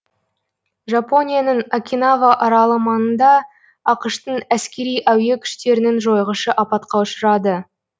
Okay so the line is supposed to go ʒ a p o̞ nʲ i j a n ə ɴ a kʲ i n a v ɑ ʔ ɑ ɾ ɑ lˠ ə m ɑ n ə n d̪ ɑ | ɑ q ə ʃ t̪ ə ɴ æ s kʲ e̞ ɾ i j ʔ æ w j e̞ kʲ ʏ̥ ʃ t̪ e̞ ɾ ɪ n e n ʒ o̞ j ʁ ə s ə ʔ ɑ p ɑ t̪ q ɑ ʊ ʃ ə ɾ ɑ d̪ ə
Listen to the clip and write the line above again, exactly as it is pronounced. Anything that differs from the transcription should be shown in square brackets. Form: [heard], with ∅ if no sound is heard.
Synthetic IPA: ʒ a p o̞ nʲ i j a n ə ɴ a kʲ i n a v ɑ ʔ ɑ ɾ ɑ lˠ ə m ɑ n ə n d̪ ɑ | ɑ q ə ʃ t̪ ə ɴ æ s kʲ e̞ ɾ i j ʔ æ w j e̞ [kʲʰ] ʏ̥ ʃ t̪ e̞ ɾ ɪ n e n ʒ o̞ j ʁ ə [ʃ] ə ʔ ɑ p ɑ t̪ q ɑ ʊ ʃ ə ɾ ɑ d̪ ə